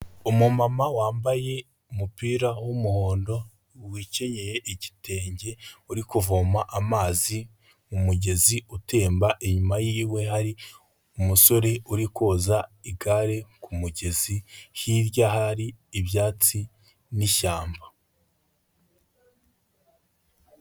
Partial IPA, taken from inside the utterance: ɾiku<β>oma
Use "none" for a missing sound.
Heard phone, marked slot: v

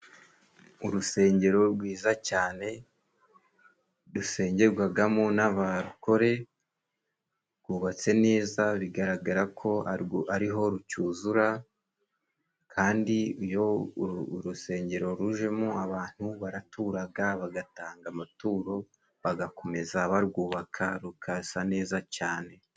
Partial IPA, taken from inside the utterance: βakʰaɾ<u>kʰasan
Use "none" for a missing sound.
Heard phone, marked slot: u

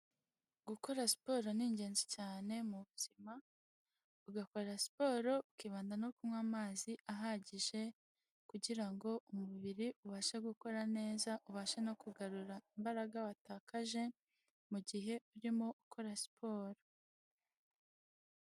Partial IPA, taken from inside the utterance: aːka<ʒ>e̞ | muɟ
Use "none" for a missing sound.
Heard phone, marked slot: ʒ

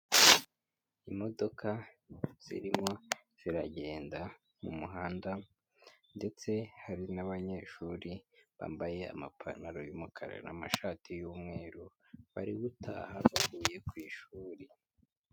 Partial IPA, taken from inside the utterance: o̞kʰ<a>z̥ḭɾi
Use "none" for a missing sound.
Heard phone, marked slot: a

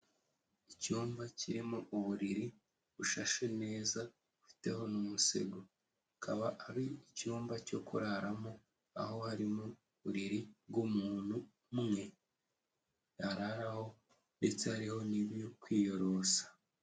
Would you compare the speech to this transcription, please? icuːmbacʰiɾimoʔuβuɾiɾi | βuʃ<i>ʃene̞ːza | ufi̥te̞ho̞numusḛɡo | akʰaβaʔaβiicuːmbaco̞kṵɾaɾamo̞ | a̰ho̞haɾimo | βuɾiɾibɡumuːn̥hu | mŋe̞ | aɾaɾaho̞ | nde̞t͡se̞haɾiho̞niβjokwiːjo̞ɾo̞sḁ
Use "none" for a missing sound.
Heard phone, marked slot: a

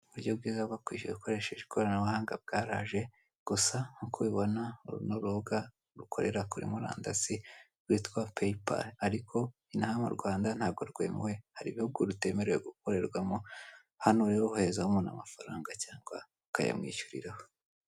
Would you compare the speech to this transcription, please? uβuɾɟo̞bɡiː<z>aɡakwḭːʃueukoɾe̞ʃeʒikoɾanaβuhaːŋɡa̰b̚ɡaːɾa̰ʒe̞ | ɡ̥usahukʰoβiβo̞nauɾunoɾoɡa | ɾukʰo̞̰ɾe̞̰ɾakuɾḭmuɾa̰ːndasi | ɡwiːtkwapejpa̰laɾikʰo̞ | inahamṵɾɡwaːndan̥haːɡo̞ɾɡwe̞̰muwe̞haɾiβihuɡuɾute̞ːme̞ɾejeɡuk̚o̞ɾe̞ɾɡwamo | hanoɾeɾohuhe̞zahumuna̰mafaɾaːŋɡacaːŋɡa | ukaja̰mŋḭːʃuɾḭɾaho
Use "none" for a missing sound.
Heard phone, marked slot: z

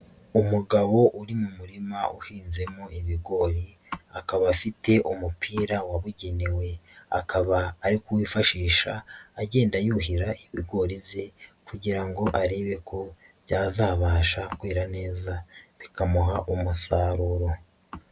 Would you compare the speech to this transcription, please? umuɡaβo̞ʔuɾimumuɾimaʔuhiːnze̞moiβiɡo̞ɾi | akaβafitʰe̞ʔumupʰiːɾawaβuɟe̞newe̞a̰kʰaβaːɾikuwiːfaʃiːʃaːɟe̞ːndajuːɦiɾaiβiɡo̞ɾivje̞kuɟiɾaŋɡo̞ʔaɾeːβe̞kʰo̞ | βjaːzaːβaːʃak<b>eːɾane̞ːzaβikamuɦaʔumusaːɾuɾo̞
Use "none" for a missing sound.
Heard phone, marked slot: w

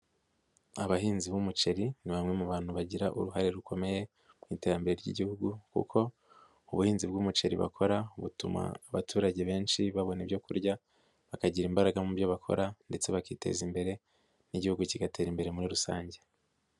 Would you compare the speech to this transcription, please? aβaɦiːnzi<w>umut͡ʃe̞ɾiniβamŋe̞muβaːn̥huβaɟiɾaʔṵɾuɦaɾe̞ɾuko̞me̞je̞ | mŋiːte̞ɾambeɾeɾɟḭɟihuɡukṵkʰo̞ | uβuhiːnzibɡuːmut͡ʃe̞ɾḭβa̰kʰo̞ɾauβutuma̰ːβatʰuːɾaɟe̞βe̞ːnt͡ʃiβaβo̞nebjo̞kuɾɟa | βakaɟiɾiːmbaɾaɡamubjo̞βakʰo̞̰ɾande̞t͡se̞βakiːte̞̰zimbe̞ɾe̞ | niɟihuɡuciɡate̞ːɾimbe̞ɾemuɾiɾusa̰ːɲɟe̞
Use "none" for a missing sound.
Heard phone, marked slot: β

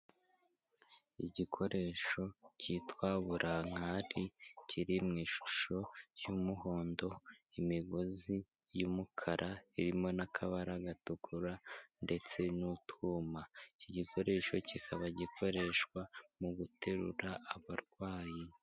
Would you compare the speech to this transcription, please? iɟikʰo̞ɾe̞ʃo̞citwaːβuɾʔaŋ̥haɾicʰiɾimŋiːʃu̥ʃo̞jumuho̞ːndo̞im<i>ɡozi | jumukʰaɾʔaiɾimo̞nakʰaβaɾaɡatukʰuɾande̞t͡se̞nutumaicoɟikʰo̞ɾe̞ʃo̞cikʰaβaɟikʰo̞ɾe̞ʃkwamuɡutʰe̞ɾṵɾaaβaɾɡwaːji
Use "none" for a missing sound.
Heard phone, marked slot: i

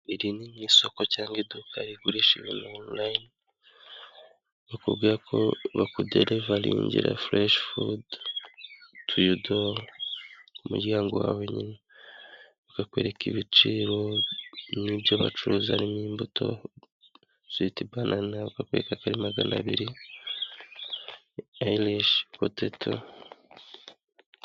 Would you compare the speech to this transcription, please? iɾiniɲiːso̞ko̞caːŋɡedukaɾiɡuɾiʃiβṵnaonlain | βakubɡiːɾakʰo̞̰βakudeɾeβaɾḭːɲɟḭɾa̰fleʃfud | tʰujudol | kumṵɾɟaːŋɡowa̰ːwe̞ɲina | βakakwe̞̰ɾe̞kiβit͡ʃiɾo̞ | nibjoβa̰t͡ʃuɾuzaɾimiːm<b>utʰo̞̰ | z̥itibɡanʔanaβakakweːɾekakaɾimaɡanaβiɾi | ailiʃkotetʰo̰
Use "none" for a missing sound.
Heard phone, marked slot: b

